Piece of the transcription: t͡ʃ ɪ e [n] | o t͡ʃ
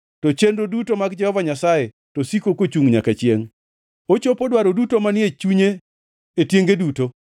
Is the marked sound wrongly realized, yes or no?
yes